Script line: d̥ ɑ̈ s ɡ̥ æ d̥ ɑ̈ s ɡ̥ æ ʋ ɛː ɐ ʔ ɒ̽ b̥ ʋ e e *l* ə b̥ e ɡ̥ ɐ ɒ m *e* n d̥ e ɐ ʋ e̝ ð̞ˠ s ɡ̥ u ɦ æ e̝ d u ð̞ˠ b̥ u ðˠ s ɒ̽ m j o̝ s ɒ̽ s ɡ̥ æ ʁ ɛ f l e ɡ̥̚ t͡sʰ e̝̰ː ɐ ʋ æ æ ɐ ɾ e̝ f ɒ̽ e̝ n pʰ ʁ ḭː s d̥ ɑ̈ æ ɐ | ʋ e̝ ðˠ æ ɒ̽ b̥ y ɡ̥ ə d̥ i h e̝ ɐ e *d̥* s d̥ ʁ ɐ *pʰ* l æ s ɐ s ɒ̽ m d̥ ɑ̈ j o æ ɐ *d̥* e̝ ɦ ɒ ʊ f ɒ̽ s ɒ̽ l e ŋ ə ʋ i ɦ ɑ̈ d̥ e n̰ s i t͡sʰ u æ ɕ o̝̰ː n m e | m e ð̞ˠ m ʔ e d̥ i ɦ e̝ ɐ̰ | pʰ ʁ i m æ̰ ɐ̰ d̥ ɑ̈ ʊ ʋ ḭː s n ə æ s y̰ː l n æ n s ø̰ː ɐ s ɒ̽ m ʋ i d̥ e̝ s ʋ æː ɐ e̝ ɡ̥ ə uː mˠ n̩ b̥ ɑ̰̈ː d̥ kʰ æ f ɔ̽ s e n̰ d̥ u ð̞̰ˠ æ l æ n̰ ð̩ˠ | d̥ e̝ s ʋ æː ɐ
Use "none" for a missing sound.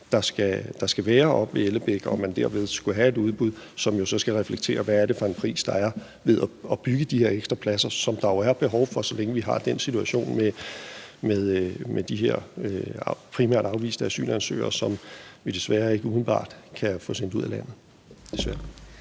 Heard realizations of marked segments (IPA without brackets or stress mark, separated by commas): l, æ, ɡ̥, pʰ, b̥